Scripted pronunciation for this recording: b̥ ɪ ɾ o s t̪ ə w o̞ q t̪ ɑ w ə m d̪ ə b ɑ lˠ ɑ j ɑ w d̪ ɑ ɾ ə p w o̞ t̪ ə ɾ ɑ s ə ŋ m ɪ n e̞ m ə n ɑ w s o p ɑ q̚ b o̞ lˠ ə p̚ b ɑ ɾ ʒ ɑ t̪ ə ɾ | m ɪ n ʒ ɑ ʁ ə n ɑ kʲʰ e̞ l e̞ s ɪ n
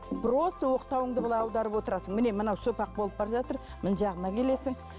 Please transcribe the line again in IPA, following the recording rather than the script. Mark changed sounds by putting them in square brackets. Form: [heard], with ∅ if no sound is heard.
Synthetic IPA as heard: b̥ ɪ ɾ o s t̪ ə w o̞ q t̪ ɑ w ə [ɴ] d̪ ə b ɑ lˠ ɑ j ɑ w d̪ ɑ ɾ ə p w o̞ t̪ ə ɾ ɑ s ə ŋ m ɪ n e̞ m ə n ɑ w s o p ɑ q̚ b o̞ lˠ ə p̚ b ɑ ɾ ʒ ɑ t̪ ə ɾ | m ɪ n ʒ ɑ ʁ ə n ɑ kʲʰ e̞ l e̞ s ɪ [ŋ]